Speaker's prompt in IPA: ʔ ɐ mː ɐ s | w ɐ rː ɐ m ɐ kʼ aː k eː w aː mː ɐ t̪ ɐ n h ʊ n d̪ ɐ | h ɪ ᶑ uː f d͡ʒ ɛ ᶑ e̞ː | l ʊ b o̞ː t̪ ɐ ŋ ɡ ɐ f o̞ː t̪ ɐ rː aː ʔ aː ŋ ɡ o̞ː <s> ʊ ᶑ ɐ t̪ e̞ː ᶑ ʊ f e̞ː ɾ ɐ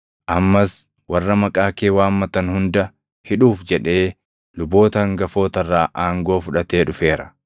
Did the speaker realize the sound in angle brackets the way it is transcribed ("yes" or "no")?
no